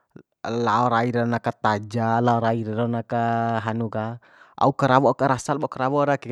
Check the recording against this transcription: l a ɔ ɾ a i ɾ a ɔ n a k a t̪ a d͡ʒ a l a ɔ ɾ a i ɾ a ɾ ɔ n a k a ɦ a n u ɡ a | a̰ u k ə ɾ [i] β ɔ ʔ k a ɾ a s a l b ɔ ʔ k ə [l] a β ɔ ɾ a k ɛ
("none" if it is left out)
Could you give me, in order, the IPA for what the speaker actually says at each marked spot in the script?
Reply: a, ɾ

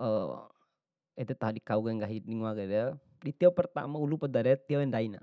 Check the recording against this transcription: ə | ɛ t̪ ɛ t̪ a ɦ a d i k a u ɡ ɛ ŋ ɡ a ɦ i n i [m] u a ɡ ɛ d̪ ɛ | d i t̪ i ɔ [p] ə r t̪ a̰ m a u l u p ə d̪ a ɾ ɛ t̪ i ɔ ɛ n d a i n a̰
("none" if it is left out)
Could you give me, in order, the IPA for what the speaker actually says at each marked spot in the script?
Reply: ŋ, p

